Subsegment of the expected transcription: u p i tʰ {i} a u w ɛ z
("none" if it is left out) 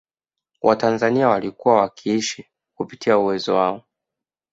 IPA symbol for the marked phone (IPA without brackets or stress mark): i